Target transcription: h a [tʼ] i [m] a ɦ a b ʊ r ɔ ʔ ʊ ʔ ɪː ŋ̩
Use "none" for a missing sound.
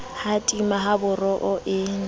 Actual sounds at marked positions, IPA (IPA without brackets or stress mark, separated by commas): tʼ, m